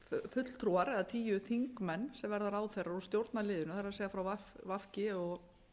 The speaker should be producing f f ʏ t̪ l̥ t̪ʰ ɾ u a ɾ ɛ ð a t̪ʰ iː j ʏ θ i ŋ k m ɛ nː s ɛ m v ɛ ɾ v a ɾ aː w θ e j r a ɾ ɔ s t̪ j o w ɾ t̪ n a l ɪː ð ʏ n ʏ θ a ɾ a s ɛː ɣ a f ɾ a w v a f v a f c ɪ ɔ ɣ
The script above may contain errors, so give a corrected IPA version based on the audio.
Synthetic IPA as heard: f f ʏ t̪ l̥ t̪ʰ ɾ u a ɾ ɛ ð a t̪ʰ iː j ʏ θ i ŋ k m ɛ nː s ɛ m v ɛ ɾ ð a ɾ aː w θ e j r a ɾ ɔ s t̪ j o w ɾ t̪ n a l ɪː ð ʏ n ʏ θ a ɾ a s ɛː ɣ a f ɾ a w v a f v a f c ɪ ɔ ɣ